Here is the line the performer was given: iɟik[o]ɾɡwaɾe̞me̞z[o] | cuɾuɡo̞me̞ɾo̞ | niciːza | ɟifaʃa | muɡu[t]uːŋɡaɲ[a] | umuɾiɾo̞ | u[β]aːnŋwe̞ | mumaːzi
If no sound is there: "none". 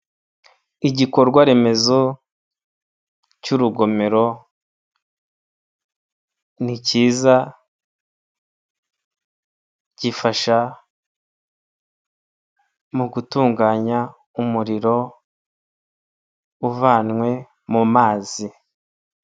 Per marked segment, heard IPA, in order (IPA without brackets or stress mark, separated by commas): o, o, t, a, v